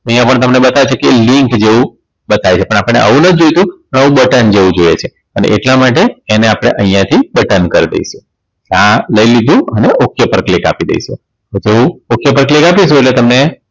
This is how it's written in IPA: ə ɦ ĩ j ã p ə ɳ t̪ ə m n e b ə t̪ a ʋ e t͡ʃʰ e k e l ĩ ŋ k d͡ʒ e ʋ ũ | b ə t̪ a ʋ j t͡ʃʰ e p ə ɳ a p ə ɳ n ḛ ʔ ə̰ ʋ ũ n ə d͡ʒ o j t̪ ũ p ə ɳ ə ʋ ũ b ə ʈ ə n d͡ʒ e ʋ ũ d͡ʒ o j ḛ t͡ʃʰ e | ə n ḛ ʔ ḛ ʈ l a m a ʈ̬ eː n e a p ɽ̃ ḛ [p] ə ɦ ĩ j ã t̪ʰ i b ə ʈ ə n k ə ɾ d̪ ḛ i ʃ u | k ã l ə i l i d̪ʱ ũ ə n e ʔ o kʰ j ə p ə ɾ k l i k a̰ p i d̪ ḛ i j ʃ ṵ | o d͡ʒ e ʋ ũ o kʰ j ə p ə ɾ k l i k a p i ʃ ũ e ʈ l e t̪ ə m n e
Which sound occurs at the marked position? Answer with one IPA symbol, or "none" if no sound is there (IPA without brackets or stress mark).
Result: ʔ